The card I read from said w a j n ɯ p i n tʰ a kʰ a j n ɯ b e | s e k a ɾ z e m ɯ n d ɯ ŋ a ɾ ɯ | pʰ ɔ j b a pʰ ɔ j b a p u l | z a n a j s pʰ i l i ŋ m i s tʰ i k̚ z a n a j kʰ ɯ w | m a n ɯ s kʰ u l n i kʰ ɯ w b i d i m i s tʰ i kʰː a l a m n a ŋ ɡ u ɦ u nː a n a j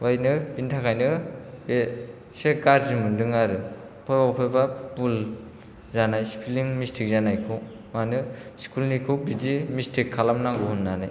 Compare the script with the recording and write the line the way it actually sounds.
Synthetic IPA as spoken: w a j n ɯ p i n tʰ a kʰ a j n ɯ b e | s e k a ɾ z i m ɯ n d ɯ ŋ a ɾ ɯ | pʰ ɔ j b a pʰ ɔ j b a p u l | z a n a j s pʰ i l i ŋ m i s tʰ i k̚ z a n a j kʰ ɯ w | m a n ɯ s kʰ u l n i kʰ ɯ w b i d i m i s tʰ i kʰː a l a m n a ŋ ɡ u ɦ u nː a n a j